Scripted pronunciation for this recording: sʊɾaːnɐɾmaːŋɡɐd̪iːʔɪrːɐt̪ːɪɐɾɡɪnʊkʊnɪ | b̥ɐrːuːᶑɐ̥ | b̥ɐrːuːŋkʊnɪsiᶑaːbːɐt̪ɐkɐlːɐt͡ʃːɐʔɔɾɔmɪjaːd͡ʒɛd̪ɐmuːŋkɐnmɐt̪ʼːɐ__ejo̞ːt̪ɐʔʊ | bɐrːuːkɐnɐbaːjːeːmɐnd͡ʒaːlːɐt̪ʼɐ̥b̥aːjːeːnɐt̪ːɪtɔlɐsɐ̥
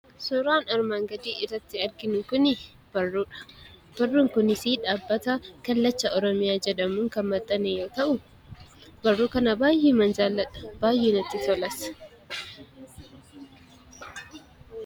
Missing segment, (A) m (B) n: B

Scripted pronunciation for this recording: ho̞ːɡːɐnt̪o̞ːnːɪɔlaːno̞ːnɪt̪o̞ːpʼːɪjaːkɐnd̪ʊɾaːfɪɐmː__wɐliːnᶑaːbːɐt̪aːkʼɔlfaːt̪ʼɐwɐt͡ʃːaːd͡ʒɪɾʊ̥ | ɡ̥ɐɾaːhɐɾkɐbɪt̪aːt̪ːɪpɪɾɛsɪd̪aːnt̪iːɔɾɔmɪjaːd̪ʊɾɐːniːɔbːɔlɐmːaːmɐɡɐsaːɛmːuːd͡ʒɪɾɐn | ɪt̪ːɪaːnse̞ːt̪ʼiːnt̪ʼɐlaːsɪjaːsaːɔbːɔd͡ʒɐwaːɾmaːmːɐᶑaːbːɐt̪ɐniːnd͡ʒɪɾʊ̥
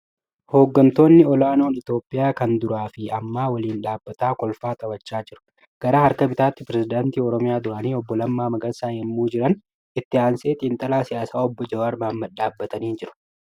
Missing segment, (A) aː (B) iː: A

